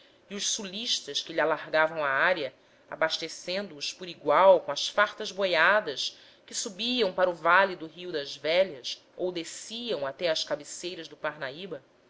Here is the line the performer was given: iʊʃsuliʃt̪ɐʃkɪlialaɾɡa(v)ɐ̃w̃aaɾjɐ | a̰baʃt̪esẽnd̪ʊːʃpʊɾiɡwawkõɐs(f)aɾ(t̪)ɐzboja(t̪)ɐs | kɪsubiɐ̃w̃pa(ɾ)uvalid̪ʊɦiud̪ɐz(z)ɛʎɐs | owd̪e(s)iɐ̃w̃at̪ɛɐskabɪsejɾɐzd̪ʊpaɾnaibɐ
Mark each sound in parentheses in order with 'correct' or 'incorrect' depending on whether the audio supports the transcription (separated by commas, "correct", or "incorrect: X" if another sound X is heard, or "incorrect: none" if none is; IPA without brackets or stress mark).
correct, correct, correct, incorrect: d̪, correct, incorrect: v, correct